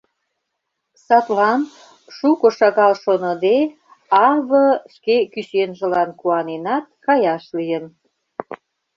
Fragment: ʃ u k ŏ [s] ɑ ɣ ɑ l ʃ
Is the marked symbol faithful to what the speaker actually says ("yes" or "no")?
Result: no